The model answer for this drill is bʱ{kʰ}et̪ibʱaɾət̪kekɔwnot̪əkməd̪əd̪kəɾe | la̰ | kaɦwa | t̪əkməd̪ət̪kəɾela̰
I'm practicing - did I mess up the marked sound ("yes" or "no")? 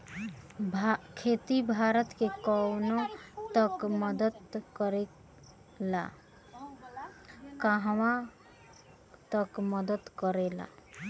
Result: no